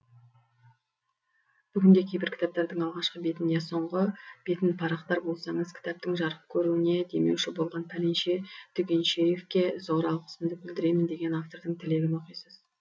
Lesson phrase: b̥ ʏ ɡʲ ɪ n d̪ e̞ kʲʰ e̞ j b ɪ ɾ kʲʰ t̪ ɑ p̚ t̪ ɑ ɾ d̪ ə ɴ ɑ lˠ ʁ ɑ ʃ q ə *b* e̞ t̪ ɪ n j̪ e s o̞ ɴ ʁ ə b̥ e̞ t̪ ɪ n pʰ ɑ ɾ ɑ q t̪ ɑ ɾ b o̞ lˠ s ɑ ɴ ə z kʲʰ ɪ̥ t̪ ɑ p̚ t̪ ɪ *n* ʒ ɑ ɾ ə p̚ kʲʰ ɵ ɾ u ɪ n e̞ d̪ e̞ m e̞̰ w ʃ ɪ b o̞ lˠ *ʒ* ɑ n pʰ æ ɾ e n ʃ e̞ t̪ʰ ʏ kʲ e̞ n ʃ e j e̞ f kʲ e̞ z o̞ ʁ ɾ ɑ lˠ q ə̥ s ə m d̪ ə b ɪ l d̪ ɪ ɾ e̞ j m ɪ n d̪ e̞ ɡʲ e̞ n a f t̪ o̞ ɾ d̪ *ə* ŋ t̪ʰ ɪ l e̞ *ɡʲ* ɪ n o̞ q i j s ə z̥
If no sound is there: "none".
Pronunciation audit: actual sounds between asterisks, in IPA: b, ŋ, ʁ, ə, ɡʲ

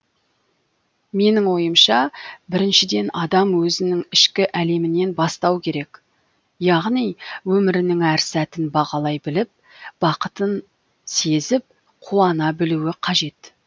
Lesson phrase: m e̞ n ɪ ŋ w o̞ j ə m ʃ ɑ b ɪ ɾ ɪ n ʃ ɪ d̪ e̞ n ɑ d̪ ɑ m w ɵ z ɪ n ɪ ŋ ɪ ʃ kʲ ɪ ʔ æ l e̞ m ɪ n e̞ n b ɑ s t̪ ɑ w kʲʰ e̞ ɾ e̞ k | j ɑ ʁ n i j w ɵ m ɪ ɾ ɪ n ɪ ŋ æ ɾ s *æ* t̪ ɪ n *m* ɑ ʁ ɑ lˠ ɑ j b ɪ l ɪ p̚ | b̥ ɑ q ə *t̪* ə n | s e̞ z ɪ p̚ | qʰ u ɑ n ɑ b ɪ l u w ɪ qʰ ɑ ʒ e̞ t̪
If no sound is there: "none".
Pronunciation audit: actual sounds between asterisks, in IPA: æ, b, t̪

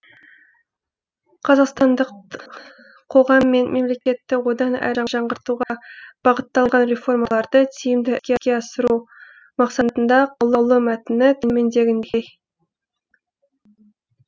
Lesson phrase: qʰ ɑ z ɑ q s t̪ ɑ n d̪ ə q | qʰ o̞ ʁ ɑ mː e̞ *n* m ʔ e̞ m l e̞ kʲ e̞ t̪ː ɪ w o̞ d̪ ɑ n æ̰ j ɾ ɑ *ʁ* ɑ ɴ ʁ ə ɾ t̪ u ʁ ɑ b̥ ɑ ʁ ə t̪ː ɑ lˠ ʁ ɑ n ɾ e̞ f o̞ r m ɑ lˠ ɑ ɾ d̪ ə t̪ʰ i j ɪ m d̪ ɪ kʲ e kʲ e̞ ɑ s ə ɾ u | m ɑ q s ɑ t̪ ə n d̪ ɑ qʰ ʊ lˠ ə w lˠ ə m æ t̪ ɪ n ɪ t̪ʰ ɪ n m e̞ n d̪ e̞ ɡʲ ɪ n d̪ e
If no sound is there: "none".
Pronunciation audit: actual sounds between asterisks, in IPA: n, ʒ

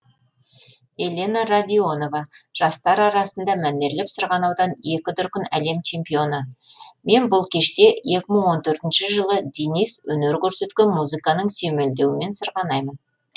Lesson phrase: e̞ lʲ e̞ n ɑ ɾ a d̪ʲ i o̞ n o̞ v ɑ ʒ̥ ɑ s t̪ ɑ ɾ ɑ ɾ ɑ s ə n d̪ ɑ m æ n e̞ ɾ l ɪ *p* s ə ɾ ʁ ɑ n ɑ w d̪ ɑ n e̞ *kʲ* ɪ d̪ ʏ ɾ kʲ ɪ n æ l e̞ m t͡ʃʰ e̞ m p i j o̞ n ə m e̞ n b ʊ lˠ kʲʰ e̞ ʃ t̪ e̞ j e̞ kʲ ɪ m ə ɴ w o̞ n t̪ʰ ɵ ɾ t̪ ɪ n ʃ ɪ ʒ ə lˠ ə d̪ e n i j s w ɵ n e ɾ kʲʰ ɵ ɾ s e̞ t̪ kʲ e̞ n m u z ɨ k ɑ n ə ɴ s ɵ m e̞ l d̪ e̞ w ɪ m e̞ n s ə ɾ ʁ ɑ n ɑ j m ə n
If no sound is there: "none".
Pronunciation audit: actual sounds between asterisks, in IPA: p, kʲ

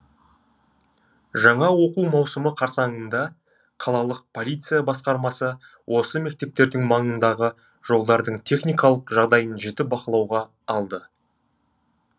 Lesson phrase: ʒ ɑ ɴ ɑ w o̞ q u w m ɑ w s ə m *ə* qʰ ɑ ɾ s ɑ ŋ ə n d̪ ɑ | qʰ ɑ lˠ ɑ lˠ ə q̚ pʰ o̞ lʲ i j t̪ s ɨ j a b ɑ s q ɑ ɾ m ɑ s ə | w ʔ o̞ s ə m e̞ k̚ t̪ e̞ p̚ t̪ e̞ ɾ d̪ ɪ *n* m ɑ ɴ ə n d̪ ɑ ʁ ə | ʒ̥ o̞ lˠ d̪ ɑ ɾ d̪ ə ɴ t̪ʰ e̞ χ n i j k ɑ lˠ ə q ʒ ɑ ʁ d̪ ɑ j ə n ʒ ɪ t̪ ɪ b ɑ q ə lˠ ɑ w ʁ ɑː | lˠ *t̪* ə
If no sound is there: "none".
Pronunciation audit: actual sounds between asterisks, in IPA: ə, ŋ, d̪

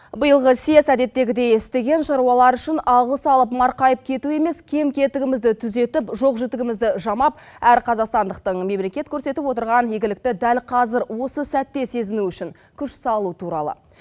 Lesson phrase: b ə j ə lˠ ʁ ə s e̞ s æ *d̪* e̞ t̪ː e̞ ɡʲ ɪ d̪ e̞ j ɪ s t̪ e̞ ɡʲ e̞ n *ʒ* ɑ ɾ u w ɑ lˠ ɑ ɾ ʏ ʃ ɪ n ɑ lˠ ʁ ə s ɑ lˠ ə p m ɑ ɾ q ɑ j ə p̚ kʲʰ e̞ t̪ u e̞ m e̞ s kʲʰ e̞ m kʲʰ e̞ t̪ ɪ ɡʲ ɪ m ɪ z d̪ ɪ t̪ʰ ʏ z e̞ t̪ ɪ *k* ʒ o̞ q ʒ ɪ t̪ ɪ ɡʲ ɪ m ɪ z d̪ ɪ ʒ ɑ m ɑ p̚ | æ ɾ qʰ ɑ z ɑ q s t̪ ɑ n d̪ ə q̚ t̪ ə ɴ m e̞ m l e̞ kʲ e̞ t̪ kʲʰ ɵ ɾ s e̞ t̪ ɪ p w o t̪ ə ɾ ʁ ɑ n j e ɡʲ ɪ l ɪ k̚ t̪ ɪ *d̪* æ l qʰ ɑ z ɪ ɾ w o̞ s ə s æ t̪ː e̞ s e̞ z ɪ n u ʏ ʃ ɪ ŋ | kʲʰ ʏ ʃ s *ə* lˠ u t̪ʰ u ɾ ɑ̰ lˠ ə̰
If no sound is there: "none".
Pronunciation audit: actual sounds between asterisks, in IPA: d̪, ʃ, p, d̪, ɑ

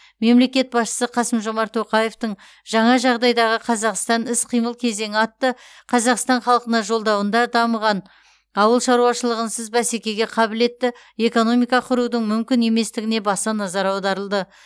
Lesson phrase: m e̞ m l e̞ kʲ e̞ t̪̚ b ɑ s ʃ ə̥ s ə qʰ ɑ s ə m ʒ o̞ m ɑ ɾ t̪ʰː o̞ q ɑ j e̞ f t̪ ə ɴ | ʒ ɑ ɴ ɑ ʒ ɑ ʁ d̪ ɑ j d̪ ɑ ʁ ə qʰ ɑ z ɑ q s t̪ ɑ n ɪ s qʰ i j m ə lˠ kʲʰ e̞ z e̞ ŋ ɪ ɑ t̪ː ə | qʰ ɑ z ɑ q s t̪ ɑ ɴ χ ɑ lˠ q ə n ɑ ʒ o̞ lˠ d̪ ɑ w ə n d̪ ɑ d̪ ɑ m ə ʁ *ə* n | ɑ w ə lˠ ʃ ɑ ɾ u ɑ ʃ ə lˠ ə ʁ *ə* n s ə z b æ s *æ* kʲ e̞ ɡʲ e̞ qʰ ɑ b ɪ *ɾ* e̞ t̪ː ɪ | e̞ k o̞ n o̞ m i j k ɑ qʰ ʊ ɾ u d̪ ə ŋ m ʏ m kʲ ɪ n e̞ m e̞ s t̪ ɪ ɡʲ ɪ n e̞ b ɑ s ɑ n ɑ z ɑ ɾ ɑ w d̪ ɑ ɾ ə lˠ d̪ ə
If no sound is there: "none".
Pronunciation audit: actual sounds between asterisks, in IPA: ɑ, ə, e, l

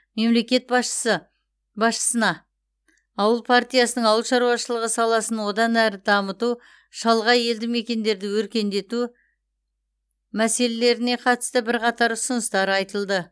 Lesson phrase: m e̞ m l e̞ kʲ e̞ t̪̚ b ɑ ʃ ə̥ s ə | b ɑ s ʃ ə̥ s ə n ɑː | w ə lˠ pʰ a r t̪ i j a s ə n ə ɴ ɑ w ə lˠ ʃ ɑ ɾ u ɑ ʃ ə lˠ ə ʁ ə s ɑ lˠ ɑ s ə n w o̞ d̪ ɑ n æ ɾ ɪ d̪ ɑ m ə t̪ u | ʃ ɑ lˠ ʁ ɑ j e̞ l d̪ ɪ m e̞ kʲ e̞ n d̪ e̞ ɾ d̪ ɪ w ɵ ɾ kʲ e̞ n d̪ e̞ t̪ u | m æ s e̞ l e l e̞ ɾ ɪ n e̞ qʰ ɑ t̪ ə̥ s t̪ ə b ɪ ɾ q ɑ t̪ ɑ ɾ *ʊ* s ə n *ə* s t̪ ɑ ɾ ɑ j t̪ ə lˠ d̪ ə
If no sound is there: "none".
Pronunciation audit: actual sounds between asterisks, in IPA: ʊ, ə

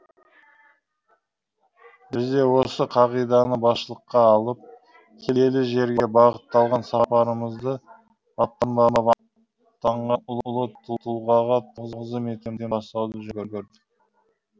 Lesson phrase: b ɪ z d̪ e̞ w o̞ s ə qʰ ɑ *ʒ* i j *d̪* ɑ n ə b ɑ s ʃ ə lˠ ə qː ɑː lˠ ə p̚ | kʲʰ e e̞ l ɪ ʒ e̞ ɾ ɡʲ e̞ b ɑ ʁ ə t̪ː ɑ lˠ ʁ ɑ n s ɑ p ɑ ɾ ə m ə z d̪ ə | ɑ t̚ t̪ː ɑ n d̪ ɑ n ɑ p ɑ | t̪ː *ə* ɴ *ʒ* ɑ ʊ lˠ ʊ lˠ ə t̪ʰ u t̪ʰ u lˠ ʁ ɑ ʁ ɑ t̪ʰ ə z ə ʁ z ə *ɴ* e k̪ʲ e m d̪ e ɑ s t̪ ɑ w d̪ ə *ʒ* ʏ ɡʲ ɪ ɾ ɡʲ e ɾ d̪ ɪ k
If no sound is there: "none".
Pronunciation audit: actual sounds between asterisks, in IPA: ʁ, d̪, ɑ, ʁ, m, ʒ

